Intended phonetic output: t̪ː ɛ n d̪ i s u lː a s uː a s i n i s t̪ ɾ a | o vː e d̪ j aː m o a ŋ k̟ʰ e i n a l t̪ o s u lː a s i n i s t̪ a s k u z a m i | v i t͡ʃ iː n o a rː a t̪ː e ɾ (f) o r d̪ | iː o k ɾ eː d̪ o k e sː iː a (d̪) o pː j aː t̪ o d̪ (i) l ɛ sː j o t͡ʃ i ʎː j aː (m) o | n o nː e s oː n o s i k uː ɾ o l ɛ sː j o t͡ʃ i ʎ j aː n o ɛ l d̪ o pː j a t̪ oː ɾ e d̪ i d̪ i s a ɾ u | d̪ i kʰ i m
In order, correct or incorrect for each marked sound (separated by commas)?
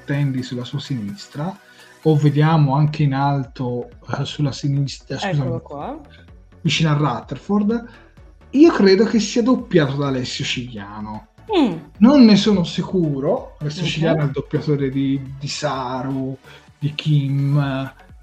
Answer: correct, correct, incorrect, incorrect